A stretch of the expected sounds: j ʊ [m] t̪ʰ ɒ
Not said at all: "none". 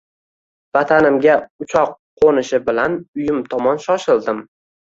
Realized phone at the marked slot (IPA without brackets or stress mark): m